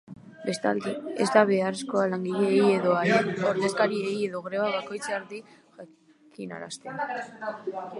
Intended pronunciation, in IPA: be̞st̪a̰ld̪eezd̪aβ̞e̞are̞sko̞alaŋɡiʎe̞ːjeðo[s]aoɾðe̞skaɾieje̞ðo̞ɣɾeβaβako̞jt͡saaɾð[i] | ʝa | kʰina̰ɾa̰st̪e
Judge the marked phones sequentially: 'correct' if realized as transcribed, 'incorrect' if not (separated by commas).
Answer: incorrect, correct